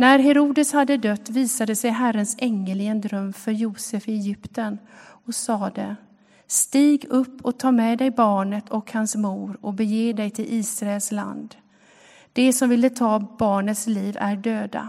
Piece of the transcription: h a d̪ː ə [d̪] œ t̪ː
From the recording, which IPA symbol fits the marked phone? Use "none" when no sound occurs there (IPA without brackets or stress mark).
d̪